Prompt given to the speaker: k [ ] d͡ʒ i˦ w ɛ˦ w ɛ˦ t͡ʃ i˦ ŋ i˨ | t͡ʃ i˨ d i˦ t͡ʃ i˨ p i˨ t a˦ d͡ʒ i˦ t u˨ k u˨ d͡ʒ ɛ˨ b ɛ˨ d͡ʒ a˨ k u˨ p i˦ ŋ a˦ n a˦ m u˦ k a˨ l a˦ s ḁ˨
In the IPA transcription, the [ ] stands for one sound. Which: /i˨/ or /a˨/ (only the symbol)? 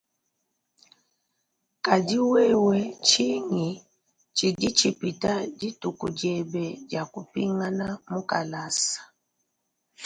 a˨